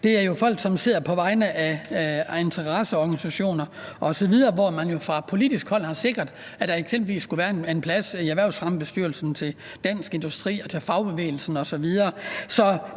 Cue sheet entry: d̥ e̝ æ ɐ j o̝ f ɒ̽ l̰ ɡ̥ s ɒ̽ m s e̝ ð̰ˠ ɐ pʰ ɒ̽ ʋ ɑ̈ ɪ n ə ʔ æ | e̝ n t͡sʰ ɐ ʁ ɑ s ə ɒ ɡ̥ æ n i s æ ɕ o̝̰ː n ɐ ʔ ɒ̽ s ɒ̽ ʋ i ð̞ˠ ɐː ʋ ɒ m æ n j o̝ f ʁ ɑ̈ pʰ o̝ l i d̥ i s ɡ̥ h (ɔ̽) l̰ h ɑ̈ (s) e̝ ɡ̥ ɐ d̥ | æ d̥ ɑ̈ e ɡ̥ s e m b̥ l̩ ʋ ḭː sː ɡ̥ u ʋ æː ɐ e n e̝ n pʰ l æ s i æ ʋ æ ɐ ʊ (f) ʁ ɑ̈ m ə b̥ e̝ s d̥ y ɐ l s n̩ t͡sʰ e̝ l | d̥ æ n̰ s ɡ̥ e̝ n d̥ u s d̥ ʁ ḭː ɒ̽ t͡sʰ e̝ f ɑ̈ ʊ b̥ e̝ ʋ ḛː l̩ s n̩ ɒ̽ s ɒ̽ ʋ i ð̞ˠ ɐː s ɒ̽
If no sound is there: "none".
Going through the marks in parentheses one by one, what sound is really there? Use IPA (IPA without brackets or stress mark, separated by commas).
ɒ̽, s, s